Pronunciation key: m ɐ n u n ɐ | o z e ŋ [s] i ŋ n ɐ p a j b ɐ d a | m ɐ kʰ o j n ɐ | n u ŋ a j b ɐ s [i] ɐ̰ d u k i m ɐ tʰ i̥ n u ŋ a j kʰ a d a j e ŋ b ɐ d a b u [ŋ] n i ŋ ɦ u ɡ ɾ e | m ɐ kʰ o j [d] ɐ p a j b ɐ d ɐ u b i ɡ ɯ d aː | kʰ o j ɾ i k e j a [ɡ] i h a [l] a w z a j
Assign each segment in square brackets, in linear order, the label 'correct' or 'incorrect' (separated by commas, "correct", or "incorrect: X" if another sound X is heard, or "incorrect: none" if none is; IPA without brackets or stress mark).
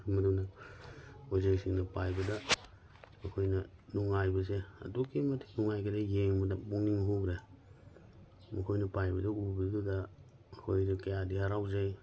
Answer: correct, incorrect: e, correct, incorrect: n, incorrect: d, incorrect: ɾ